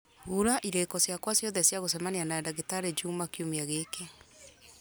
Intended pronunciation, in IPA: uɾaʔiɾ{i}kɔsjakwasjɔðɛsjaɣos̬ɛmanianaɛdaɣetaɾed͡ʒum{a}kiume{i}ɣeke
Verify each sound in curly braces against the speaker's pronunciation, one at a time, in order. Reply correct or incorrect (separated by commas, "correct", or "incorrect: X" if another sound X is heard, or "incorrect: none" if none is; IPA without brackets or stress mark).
incorrect: e, correct, incorrect: a